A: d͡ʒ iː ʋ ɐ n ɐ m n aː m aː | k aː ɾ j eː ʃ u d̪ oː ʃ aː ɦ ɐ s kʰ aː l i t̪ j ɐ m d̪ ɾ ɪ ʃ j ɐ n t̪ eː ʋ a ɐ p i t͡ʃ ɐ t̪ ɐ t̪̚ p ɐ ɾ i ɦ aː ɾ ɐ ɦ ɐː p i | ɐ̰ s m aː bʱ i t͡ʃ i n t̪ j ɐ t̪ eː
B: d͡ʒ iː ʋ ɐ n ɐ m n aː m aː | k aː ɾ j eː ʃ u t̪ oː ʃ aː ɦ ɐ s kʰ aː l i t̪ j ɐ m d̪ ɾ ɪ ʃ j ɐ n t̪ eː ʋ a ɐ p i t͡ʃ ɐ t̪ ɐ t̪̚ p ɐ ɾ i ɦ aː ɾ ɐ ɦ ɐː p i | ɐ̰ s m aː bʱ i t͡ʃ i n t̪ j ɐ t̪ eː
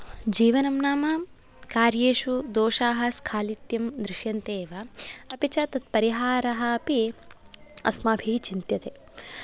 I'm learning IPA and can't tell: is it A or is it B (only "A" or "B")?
A